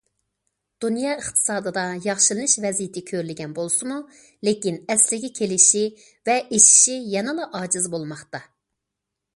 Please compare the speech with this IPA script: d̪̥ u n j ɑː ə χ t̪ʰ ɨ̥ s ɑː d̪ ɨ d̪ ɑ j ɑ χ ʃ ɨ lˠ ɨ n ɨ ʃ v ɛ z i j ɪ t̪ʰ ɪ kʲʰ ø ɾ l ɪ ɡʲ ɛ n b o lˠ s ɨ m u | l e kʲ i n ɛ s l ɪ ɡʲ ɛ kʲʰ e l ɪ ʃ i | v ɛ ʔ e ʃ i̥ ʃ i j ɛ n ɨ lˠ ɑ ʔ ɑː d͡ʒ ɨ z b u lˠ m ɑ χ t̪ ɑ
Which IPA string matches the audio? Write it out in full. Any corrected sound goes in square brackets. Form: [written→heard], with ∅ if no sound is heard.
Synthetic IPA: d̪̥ u n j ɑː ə χ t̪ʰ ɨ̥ s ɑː d̪ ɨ d̪ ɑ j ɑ χ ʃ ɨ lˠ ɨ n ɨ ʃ v ɛ z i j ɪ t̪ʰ ɪ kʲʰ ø ɾ l ɪ ɡʲ ɛ n b o lˠ s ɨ m u | l e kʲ i n ɛ s l ɪ ɡʲ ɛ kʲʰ e l ɪ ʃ i | v ɛ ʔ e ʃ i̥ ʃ i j ɛ n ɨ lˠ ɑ ʔ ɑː d͡ʒ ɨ z b [u→o] lˠ m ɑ χ t̪ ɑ

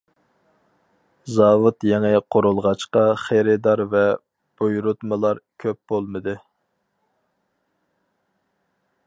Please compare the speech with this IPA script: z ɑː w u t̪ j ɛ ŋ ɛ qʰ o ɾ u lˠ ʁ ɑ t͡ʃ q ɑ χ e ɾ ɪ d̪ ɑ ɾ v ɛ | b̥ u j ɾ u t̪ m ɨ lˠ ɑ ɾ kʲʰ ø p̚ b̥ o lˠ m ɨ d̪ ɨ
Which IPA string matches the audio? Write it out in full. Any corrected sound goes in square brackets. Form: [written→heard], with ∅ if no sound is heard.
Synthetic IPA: z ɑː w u t̪ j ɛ ŋ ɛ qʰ o ɾ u lˠ ʁ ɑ t͡ʃ q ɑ χ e ɾ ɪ d̪ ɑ ɾ v ɛ | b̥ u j ɾ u t̪ m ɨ lˠ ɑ ɾ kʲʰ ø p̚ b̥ o lˠ m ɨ d̪ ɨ

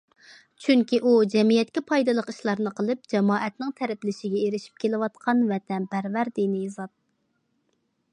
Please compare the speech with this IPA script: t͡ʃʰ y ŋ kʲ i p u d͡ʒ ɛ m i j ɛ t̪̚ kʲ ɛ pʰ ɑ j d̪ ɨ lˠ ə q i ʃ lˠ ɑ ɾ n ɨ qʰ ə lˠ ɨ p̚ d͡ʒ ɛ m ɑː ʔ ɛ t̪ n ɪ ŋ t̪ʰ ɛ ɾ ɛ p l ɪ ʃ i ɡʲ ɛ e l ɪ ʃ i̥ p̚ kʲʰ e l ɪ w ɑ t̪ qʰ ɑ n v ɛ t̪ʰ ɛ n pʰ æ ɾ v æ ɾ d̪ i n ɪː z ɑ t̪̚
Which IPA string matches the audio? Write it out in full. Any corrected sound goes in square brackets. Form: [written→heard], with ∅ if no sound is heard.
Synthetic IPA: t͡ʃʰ y ŋ kʲ i [p→ʔ] u d͡ʒ ɛ m i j ɛ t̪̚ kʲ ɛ pʰ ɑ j d̪ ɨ lˠ ə q i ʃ lˠ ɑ ɾ n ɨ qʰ ə lˠ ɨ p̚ d͡ʒ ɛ m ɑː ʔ ɛ t̪ n ɪ ŋ t̪ʰ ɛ ɾ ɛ p l ɪ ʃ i ɡʲ ɛ e [l→ɾ] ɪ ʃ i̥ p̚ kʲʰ e l ɪ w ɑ t̪ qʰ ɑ n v ɛ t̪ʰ ɛ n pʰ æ ɾ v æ ɾ d̪ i n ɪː z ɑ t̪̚

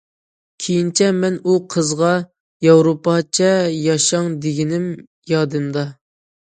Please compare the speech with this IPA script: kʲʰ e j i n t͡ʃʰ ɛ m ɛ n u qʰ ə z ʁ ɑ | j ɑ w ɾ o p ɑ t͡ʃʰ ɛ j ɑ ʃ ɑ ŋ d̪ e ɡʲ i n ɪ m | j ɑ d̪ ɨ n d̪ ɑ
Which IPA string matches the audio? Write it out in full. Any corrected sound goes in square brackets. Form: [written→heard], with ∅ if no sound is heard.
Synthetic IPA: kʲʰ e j i n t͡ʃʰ ɛ m ɛ n u qʰ ə z ʁ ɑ | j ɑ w ɾ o p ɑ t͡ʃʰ ɛ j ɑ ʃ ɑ ŋ d̪ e ɡʲ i n ɪ m | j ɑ d̪ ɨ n d̪ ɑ

